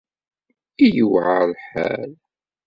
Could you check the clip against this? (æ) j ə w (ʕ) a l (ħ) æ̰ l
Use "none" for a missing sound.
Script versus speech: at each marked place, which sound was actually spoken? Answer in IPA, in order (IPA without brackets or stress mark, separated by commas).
i, ʕ, ħ